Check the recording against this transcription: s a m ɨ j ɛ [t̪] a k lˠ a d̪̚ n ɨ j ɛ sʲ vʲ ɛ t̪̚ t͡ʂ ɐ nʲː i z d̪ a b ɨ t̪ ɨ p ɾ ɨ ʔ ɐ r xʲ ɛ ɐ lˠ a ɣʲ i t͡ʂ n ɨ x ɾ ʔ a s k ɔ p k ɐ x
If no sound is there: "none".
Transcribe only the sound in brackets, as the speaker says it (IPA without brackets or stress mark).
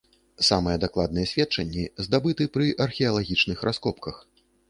d̪